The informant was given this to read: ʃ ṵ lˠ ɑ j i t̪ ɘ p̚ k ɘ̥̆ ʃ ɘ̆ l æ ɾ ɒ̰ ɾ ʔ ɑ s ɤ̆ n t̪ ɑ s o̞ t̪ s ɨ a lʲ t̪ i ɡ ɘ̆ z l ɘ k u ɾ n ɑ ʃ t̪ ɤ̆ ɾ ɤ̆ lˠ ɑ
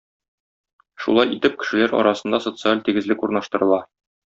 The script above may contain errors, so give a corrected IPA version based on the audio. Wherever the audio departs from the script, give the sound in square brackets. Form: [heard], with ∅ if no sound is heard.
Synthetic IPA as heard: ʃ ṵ lˠ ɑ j i t̪ ɘ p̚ k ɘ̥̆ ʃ ɘ̆ l æ ɾ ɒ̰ ɾ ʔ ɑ s ɤ̆ n [d̪] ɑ s o̞ t̪ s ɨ a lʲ t̪ i ɡ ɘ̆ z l ɘ k u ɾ n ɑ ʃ t̪ ɤ̆ ɾ ɤ̆ lˠ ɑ